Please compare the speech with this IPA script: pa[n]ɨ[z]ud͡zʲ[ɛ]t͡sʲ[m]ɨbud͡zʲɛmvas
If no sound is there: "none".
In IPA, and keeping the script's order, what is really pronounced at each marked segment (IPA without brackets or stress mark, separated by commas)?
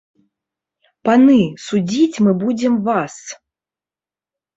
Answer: n, s, i, m